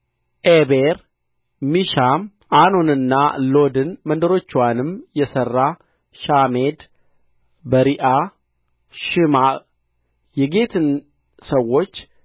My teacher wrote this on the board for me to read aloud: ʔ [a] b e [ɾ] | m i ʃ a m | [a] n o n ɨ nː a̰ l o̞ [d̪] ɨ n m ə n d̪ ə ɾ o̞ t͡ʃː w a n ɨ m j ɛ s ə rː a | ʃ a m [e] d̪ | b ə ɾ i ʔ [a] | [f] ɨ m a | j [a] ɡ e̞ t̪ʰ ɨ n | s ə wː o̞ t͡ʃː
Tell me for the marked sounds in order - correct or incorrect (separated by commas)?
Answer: incorrect, correct, correct, correct, correct, correct, incorrect, incorrect